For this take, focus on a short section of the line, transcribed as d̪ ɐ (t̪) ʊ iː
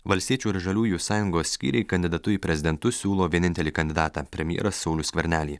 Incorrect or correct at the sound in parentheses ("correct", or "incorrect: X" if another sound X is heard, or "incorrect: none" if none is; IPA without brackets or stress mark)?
correct